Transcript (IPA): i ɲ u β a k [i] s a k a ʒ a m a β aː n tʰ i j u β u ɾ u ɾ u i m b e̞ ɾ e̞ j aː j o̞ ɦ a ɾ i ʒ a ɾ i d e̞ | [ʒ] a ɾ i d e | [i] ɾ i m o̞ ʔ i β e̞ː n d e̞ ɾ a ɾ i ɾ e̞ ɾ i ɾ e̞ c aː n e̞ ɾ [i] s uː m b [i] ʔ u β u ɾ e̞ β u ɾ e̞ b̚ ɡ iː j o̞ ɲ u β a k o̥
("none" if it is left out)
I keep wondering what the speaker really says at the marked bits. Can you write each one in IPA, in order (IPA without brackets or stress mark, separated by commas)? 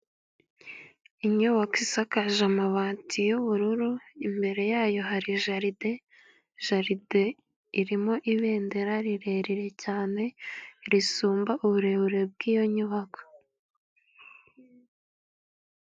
i, ʒ, i, i, a